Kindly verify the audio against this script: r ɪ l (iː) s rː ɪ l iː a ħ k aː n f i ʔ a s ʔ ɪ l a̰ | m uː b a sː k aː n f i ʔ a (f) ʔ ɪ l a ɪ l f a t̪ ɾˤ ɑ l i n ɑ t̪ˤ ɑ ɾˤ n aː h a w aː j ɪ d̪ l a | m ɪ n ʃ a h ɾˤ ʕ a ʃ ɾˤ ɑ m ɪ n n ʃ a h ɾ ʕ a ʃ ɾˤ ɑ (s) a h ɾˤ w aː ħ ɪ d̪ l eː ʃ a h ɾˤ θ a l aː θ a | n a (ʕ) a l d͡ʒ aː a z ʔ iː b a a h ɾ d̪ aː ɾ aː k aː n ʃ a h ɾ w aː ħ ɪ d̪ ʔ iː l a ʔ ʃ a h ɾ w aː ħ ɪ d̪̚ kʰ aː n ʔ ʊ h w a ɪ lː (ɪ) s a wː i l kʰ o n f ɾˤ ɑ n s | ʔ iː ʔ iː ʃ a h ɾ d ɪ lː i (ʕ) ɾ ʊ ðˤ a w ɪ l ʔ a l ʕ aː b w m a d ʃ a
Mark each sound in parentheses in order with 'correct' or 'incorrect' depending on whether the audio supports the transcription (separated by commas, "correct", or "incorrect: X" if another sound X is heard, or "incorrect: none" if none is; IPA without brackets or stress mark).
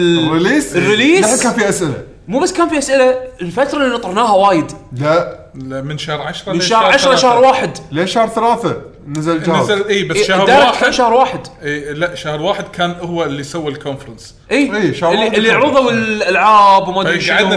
correct, incorrect: s, incorrect: ʃ, incorrect: z, incorrect: i, correct